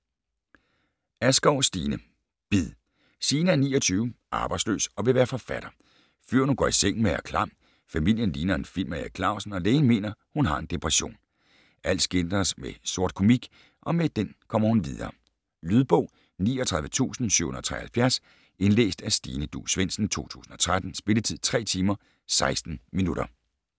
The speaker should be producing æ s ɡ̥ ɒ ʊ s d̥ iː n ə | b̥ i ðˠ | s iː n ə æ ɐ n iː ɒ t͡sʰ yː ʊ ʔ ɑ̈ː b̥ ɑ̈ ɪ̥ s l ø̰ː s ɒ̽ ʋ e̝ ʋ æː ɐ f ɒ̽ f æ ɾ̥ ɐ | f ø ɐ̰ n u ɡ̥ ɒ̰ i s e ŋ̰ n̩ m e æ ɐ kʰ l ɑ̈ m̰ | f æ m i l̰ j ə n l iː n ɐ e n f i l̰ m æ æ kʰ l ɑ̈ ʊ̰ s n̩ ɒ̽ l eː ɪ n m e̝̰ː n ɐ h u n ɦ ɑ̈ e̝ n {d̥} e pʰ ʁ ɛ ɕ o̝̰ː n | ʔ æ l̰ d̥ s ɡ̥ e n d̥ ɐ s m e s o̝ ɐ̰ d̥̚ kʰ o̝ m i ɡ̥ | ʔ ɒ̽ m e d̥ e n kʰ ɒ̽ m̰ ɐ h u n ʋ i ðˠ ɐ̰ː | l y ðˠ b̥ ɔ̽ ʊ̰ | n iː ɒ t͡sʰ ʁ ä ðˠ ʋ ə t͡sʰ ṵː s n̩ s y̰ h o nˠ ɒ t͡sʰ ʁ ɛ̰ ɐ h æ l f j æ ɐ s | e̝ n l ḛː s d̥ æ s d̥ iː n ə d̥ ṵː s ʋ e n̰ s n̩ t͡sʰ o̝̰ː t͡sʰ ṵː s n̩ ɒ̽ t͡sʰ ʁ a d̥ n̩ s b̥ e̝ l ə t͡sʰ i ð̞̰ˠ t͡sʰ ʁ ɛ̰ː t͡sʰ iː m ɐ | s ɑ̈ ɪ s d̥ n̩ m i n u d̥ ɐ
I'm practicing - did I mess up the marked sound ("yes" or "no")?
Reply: no